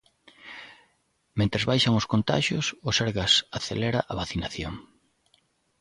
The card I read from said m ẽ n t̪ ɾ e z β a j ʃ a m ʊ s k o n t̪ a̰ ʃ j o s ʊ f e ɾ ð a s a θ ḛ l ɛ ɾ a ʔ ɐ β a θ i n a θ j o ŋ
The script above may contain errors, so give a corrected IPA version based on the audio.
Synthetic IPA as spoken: m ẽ n t̪ ɾ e z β a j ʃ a ŋ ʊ s k o n t̪ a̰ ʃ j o s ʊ s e ɾ ɣ a s a θ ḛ l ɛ ɾ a ʔ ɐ β a θ i n a θ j o ŋ

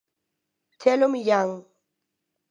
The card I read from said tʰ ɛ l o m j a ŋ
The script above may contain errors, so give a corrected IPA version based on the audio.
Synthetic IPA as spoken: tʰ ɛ l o m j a ŋ

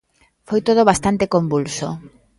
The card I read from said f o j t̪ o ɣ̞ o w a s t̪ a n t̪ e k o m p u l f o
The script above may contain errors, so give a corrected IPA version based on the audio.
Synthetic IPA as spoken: f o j t̪ o ð̞ o β a s t̪ a n t̪ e k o m b u l s o

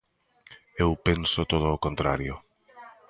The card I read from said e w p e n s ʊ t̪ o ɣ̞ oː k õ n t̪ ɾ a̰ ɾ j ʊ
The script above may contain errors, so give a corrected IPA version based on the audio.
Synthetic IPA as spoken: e w p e n s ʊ t̪ o ð̞ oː k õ n t̪ ɾ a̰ ɾ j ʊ

